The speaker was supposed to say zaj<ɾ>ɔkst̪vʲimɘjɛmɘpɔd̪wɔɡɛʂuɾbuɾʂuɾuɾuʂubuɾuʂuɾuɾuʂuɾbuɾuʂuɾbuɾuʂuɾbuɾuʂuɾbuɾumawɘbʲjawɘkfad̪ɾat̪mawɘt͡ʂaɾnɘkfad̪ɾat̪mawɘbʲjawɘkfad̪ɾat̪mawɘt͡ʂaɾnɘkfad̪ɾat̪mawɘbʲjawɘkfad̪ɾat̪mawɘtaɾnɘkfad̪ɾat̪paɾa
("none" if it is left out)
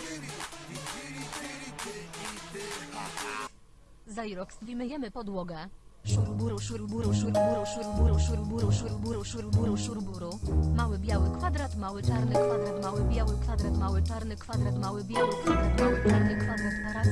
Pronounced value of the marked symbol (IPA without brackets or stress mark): ɾ